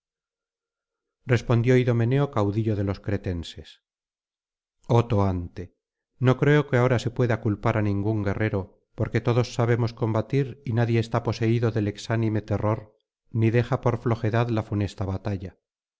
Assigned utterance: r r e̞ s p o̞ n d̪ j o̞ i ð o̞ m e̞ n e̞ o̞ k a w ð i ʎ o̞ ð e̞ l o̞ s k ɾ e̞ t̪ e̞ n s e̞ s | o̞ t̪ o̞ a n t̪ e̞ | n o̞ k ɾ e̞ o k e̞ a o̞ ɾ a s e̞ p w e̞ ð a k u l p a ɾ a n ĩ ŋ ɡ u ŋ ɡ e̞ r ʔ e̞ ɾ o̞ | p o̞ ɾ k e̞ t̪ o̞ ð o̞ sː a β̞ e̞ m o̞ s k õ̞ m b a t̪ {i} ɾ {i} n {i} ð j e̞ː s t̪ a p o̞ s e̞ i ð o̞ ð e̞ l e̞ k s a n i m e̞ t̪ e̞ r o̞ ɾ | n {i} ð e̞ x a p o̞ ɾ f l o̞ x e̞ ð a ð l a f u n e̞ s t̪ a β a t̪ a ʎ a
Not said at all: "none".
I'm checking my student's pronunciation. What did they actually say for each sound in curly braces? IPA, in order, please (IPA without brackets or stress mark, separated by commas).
i, i, a, i